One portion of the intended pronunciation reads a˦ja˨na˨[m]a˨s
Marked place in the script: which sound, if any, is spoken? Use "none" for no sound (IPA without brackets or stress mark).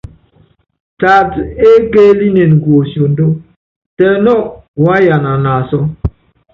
n